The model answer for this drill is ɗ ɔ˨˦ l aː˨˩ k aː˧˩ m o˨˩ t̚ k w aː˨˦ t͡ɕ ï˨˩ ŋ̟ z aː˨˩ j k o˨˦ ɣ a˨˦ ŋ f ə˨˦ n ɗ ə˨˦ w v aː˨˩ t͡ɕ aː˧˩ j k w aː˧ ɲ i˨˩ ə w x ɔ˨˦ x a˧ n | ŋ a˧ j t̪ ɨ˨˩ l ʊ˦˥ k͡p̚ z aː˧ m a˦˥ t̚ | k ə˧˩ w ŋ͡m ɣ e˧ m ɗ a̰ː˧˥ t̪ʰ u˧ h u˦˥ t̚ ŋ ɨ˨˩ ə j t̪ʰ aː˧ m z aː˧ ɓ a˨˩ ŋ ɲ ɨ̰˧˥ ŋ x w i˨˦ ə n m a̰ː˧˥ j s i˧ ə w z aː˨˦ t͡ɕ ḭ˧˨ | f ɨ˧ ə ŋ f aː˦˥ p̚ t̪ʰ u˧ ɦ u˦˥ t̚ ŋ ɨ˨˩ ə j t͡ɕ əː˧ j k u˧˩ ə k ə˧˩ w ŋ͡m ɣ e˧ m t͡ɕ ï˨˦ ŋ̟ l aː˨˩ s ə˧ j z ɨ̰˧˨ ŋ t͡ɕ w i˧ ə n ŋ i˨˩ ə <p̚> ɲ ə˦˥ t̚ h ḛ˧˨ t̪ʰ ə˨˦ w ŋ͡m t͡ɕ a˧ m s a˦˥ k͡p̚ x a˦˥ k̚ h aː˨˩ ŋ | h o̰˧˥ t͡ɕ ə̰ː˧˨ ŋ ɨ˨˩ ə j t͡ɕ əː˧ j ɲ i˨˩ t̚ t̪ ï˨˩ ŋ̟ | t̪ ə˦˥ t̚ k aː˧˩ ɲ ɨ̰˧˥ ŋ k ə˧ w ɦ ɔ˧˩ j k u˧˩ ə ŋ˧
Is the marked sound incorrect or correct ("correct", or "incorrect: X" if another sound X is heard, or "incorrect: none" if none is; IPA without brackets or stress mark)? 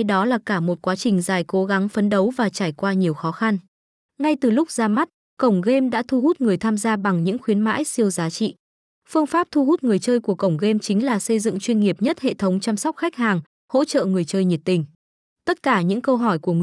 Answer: correct